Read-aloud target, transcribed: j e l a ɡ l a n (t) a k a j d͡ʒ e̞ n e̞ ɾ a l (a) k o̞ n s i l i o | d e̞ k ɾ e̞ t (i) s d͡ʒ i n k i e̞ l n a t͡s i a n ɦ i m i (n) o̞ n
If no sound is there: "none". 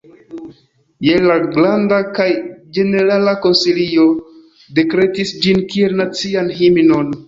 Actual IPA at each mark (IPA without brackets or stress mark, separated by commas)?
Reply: d, a, i, n